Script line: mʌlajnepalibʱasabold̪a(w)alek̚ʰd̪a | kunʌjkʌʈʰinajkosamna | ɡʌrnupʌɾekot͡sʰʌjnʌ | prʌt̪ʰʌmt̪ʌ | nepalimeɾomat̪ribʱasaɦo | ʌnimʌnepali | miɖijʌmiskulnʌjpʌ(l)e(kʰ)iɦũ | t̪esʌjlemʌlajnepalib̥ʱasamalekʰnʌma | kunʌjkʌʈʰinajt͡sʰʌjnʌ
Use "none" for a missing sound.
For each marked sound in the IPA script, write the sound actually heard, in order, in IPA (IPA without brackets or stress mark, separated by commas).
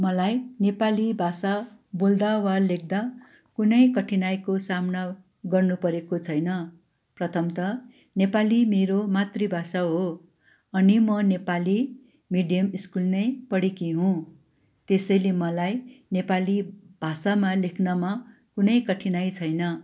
w, ɽ, k